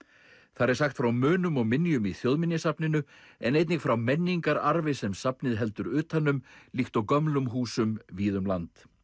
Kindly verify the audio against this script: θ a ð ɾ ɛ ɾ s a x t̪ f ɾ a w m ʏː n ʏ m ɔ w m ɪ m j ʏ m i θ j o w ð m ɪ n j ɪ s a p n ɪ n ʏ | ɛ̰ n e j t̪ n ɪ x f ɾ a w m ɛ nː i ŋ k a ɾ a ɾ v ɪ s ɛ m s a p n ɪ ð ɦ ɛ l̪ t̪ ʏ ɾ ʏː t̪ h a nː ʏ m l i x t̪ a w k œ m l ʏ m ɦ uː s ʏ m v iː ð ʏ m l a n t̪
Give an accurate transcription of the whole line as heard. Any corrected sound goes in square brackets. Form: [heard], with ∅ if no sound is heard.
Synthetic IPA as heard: θ a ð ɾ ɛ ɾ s a x t̪ f ɾ a w m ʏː n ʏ m ɔ [ɣ] m ɪ [n] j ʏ m i θ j o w ð m ɪ n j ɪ s a p n ɪ n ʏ | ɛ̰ n e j t̪ n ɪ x f ɾ a w m ɛ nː i ŋ k a ɾ a ɾ v ɪ s ɛ m s a p n ɪ ð ɦ ɛ l̪ t̪ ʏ ɾ ʏː t̪ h a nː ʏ m l i x t̪ a w k œ m l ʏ m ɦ uː s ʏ m v iː ð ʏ m l a n t̪